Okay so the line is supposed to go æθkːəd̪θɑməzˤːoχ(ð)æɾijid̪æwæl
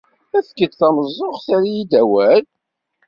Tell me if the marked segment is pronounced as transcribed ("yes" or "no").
no